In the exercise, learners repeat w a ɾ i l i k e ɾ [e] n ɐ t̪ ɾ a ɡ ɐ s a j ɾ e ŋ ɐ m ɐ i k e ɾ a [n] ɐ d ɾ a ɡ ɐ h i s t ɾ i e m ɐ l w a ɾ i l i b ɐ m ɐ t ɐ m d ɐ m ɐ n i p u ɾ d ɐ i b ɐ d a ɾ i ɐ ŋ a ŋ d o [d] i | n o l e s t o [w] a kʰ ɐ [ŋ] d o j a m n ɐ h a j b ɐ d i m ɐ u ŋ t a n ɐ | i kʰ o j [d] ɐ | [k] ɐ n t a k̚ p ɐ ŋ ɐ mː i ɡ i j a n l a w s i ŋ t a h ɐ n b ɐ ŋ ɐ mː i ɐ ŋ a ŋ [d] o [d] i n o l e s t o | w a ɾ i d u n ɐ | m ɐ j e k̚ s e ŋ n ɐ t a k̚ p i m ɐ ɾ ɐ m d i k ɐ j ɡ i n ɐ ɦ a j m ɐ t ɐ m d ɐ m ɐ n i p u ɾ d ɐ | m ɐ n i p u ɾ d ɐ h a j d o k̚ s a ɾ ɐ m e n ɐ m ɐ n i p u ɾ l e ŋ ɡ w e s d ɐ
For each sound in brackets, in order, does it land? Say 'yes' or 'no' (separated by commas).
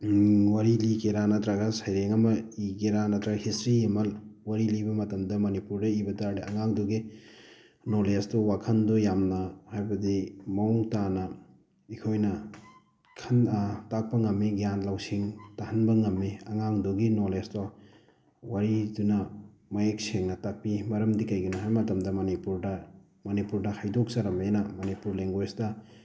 no, yes, no, yes, no, no, no, yes, no